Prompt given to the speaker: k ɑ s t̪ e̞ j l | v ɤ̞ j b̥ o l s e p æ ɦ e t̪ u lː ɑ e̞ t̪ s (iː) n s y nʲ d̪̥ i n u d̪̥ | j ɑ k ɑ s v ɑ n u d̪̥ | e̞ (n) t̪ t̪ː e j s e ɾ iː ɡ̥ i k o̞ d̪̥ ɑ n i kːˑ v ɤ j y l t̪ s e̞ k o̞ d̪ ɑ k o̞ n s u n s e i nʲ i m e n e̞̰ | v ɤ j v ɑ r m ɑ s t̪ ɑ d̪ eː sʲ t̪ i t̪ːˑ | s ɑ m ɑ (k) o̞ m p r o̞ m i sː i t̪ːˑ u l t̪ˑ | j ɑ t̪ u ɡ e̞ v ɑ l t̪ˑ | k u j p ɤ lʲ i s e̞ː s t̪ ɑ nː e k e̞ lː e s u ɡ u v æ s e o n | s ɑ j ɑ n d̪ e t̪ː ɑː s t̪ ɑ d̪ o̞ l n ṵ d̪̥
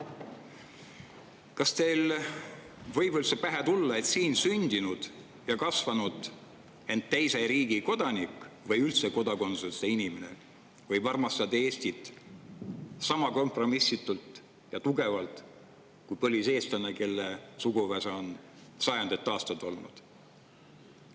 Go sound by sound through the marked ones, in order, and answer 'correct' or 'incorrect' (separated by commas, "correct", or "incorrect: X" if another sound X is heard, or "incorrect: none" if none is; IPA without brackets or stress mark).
correct, correct, correct